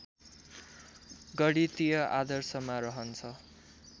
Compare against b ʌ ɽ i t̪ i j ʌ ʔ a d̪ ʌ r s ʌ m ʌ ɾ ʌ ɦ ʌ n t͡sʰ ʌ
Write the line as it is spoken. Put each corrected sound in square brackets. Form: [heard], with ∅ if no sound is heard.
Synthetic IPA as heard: [ɡ] ʌ ɽ i t̪ i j ʌ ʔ a d̪ ʌ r s ʌ m [a] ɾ ʌ ɦ ʌ n t͡sʰ ʌ